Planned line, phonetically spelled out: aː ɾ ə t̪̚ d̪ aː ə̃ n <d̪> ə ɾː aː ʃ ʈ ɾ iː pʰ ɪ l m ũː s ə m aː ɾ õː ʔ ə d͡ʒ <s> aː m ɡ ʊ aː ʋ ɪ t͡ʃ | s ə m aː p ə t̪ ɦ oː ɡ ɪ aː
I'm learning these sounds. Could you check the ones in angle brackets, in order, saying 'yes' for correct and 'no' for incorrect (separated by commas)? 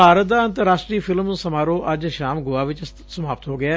no, no